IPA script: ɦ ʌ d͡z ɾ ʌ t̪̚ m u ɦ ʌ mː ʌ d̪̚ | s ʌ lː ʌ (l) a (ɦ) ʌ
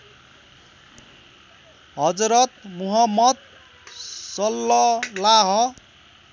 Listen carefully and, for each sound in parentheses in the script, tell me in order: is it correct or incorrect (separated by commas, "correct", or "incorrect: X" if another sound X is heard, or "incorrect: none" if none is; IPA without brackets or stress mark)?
correct, correct